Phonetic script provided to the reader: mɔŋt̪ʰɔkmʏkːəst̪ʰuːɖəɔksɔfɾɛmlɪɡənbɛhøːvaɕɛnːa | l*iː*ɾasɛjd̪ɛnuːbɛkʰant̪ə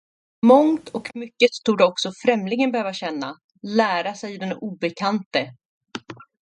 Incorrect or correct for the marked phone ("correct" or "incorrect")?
incorrect